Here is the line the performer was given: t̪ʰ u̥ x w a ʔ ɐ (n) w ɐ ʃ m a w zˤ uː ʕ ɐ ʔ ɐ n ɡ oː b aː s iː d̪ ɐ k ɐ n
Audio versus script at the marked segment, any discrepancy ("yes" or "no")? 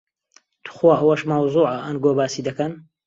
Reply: yes